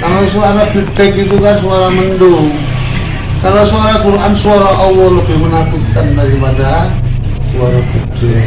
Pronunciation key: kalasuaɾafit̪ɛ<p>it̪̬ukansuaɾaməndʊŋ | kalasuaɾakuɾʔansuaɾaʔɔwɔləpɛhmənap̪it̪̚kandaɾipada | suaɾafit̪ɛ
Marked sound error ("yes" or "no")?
yes